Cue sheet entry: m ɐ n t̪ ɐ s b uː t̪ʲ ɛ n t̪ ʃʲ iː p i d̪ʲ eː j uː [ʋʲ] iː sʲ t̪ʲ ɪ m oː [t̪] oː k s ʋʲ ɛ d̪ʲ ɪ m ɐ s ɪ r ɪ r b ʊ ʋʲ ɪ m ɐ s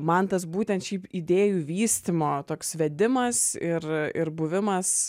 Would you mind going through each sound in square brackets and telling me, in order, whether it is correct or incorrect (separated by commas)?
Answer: correct, correct